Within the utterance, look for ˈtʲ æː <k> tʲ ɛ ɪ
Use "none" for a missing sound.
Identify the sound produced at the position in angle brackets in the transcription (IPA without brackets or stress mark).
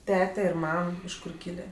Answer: none